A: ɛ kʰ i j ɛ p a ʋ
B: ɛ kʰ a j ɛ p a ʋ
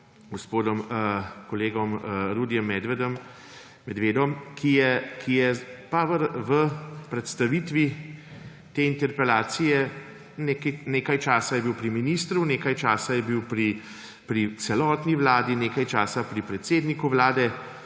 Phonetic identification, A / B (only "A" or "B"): A